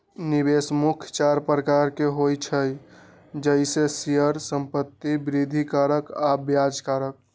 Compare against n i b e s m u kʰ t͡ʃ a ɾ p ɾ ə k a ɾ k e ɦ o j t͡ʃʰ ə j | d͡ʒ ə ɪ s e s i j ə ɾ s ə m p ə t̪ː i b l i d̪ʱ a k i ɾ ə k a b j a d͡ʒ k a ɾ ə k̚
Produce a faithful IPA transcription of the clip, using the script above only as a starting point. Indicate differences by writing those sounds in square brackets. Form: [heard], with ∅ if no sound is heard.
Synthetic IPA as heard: n i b e s m u kʰ t͡ʃ a ɾ p ɾ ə k a ɾ k e ɦ o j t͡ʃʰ ə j | d͡ʒ ə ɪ s e s i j ə ɾ s ə m p ə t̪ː i b [ɾ] i d̪ʱ [i] k [a] ɾ ə k a b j a d͡ʒ k a ɾ ə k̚